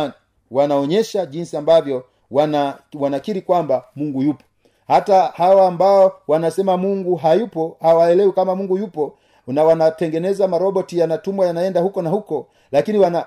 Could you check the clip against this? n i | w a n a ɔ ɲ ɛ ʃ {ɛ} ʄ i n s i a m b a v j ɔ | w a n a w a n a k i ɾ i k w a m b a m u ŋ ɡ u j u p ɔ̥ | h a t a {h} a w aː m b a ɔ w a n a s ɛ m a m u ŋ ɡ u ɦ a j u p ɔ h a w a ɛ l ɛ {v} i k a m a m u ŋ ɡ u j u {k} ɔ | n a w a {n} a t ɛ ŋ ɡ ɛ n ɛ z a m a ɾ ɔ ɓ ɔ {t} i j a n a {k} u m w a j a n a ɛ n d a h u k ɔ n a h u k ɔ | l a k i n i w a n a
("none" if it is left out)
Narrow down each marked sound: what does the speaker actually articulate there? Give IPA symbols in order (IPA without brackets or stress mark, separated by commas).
a, h, w, p, n, t, t